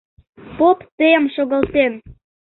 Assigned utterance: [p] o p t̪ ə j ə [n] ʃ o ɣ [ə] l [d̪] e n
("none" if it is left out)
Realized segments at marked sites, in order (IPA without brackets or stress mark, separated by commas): p, m, ə, t̪